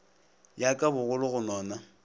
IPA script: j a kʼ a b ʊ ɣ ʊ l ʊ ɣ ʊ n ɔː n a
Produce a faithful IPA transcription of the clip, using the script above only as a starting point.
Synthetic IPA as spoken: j a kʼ a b ʊ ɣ ʊ l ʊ ɣ ʊ n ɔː n a